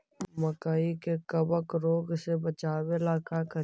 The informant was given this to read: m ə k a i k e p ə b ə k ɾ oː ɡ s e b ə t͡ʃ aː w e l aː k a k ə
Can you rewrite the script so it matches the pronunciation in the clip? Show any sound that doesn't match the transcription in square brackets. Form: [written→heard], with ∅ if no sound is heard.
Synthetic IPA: m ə k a i k e [p→k] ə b ə k ɾ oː ɡ s e b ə t͡ʃ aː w e l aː k a k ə